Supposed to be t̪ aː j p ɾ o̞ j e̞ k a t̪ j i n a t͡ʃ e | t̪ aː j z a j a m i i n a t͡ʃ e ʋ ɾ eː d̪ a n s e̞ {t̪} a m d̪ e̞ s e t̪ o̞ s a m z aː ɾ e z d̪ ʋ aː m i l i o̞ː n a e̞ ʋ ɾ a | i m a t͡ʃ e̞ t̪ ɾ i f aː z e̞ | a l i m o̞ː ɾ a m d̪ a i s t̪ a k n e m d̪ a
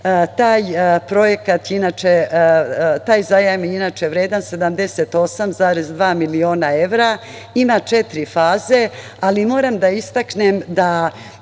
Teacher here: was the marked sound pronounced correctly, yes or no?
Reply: no